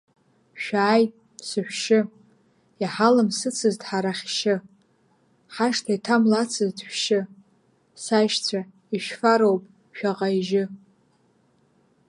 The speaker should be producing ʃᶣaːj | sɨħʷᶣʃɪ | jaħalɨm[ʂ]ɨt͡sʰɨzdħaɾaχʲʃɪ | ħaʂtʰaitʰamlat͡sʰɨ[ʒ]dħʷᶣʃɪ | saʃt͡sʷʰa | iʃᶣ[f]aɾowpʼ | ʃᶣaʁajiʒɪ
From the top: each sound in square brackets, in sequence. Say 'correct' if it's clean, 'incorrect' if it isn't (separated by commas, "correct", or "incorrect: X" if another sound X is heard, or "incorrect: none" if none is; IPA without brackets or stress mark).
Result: incorrect: s, incorrect: z, correct